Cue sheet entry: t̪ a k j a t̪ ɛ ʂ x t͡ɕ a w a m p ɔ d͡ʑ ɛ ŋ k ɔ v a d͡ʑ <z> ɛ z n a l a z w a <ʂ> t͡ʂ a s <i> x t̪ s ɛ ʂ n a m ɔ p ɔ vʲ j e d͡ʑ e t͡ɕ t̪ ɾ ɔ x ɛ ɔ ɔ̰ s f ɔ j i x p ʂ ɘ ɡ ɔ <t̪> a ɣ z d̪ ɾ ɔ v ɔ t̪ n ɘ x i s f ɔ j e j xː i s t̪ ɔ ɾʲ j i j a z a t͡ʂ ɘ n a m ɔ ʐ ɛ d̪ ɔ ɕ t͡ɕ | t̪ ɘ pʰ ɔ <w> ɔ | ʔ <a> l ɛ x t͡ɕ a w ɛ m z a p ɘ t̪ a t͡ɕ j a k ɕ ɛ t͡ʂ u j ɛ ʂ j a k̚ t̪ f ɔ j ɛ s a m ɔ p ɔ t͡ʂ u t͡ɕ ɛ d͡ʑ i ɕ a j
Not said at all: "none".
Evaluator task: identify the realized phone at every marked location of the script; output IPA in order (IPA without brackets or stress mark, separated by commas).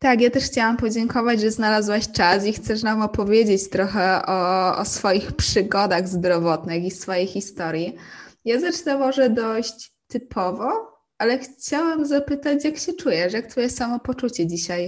ʐ, ɕ, i, d̪, v, a